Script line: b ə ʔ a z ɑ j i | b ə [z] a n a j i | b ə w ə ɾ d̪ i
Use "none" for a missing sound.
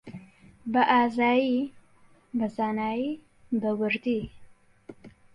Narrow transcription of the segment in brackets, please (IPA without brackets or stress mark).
z